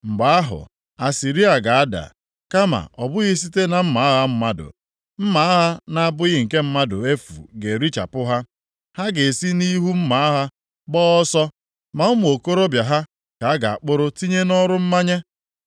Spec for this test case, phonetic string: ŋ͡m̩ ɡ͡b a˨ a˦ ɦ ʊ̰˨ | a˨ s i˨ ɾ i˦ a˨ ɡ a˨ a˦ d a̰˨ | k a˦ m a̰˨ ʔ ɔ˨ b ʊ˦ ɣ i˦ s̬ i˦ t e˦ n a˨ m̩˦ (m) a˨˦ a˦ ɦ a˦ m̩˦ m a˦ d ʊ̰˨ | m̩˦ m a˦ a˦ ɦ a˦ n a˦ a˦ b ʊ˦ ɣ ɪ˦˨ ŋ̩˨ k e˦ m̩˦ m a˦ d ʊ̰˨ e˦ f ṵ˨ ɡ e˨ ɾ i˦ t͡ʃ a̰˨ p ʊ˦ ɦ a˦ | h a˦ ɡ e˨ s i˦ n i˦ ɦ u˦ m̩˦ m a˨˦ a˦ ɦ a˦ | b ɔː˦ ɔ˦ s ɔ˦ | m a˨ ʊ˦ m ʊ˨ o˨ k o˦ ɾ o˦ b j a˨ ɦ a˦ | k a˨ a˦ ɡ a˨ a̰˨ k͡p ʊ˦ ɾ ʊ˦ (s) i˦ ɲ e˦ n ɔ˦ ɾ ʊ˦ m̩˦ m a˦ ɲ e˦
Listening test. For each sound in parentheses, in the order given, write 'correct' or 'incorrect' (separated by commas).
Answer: correct, incorrect